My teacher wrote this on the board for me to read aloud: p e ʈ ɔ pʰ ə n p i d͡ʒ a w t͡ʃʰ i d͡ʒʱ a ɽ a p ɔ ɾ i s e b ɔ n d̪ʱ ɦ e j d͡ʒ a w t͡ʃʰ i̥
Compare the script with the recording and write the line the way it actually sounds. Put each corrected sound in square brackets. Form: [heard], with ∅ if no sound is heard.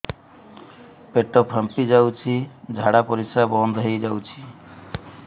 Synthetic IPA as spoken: p e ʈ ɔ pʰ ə [m] p i d͡ʒ a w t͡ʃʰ i d͡ʒʱ a ɽ a p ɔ ɾ i s [a] b ɔ n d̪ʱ ɦ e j d͡ʒ a w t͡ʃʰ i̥